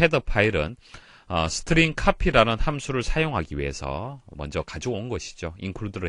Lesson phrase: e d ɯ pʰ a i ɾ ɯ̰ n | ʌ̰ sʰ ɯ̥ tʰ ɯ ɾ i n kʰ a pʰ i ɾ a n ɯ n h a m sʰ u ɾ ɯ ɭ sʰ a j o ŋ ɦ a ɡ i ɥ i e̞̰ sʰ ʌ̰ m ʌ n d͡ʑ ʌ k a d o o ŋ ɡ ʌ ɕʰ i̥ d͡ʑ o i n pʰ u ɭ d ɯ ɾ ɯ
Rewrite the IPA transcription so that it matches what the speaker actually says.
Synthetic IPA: e d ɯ pʰ a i ɾ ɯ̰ n | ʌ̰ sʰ ɯ̥ tʰ ɯ ɾ i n kʰ a pʰ i ɾ a n ɯ n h a m sʰ u ɾ ɯ ɭ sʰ a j o ŋ ɦ a ɡ i ɥ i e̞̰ sʰ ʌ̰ m ʌ n d͡ʑ ʌ k a d͡ʑ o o n ɡ ʌ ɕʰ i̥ d͡ʑ o i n kʰ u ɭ d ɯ ɾ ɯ